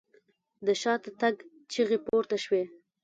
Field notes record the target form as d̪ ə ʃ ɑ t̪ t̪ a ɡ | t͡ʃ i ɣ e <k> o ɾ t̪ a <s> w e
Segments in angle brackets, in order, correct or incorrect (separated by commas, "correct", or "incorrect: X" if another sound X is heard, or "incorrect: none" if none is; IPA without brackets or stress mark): incorrect: p, incorrect: ʃ